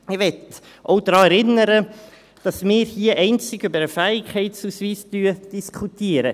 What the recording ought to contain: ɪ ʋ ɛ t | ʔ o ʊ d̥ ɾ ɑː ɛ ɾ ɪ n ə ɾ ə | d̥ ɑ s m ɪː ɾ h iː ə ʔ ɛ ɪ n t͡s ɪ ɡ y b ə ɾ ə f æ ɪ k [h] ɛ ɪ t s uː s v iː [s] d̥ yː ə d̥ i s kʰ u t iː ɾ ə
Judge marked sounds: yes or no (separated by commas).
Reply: yes, yes